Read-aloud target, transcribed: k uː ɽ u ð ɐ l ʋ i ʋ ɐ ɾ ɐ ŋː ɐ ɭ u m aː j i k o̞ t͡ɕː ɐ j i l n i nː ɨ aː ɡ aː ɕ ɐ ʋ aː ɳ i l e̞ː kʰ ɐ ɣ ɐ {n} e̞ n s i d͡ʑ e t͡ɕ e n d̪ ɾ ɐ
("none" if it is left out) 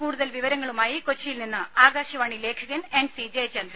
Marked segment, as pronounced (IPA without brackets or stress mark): n